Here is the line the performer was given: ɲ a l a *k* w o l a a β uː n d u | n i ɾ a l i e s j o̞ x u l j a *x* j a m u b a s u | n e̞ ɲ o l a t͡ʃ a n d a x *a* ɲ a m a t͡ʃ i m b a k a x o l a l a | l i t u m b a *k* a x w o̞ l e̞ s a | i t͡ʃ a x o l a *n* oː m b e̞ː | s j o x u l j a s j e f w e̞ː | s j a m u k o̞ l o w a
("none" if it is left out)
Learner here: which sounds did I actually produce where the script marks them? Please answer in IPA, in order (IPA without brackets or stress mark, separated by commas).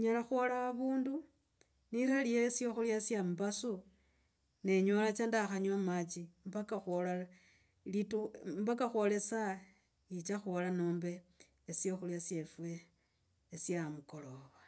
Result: x, s, a, k, n